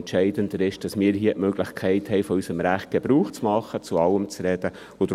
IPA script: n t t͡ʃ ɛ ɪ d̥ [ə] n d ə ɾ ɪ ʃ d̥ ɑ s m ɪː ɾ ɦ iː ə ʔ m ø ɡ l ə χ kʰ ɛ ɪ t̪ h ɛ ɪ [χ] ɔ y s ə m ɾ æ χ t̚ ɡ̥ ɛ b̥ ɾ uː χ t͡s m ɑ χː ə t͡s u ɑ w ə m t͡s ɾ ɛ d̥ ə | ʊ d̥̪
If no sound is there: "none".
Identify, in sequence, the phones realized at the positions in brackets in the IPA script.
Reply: ə, f

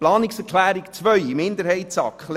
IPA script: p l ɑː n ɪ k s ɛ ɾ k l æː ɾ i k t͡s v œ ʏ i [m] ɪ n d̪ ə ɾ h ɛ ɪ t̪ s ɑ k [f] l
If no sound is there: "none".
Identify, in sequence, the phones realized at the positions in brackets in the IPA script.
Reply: m, χ

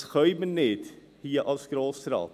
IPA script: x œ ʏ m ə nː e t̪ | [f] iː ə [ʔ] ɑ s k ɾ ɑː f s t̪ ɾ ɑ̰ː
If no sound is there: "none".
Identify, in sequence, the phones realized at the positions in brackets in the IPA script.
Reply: h, ʔ

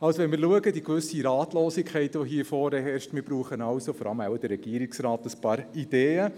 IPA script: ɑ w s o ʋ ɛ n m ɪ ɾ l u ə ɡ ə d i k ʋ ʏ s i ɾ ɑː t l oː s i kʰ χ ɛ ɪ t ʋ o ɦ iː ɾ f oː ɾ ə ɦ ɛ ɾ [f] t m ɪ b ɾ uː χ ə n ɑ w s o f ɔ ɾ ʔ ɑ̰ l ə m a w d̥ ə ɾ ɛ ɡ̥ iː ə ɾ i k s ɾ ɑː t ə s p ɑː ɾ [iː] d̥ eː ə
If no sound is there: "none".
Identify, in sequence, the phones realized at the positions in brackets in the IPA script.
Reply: ʃ, i

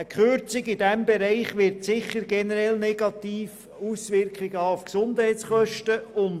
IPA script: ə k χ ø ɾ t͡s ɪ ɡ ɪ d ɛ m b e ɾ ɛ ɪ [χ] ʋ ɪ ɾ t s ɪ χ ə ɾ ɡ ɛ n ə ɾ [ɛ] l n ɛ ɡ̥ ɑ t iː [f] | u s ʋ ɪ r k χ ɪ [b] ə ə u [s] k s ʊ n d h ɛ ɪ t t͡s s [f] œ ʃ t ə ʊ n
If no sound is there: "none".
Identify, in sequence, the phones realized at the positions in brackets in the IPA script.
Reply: χ, ɛ, f, ɡ, f, χ

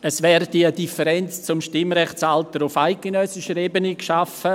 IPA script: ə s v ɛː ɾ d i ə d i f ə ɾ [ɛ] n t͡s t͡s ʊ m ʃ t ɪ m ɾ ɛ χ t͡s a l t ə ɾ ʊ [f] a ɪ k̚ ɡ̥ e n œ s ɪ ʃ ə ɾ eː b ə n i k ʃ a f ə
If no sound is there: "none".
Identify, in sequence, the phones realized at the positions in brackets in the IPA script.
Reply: ɛ, f

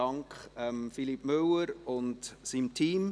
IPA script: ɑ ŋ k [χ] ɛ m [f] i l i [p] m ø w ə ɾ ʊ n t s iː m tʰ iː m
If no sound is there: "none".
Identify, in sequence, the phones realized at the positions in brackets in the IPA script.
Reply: χ, f, p

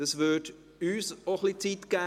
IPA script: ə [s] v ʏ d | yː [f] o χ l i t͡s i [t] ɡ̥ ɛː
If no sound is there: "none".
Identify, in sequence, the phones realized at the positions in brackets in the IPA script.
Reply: s, s, t

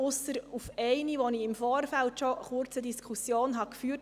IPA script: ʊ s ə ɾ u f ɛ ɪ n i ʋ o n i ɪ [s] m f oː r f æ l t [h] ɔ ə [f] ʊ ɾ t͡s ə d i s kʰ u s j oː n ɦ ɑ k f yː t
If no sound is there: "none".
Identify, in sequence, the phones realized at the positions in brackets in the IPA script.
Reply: none, ʃ, χ

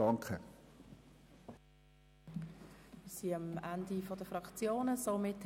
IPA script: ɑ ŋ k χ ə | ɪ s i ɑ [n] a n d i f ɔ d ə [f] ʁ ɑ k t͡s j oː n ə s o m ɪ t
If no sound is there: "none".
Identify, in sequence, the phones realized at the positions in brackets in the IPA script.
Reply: m, f

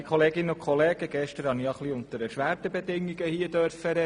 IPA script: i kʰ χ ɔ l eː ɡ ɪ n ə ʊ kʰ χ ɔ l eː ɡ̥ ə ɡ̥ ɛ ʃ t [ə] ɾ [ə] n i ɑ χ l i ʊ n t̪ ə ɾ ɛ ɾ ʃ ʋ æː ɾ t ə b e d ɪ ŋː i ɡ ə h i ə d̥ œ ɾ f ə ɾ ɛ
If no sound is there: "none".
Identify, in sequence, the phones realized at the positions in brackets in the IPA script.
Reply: ə, ɑ

